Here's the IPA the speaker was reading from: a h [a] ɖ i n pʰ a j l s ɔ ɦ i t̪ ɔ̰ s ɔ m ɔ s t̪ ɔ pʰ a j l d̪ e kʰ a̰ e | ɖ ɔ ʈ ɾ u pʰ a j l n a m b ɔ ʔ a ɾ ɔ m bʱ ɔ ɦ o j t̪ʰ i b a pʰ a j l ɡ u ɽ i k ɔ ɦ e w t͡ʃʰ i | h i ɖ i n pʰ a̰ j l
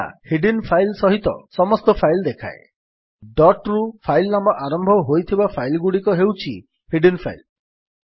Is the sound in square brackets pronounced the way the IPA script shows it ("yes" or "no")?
no